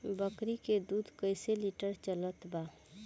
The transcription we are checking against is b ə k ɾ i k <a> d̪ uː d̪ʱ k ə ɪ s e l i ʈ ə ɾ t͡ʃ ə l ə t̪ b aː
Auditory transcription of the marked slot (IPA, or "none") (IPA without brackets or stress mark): e